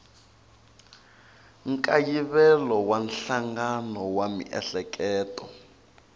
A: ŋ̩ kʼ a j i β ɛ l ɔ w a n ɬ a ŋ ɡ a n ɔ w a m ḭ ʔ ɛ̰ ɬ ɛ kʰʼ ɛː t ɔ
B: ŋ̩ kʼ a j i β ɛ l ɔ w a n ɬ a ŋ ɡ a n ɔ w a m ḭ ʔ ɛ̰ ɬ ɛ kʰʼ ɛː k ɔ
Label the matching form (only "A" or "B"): A